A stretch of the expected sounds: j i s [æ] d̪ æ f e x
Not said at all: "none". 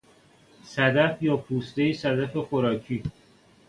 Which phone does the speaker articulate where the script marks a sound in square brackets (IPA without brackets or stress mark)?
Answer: æ